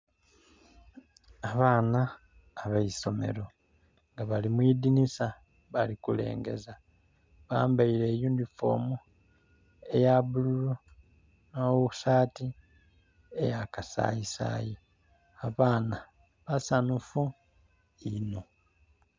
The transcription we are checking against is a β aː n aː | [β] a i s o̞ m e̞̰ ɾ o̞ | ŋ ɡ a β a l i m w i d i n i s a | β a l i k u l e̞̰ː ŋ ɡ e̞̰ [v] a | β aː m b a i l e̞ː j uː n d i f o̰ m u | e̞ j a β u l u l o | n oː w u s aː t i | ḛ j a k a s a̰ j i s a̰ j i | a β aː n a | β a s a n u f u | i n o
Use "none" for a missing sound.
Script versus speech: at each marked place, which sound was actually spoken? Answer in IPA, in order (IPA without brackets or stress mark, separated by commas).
β, z